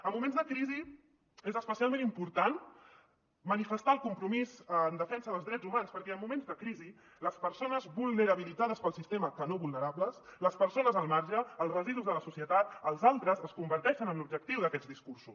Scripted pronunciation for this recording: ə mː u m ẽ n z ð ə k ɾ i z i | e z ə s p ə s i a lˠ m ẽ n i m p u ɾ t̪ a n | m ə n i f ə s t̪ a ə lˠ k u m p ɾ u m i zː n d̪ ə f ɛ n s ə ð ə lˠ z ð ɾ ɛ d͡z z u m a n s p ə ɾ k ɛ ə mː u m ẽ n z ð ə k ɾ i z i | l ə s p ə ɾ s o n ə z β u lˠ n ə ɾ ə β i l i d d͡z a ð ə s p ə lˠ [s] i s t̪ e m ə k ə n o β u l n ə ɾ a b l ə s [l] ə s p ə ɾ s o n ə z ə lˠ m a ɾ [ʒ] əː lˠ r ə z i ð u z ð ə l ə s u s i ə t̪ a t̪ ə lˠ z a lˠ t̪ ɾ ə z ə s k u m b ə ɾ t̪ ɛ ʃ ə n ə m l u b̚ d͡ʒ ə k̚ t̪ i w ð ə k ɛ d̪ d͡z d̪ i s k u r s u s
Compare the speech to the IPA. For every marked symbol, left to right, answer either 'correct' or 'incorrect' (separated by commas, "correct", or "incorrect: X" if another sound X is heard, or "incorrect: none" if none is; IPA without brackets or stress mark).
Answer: correct, correct, correct